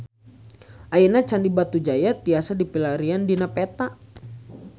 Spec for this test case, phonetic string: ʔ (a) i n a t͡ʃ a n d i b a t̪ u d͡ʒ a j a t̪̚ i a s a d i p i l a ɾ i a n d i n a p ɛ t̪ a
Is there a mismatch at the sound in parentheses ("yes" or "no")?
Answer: no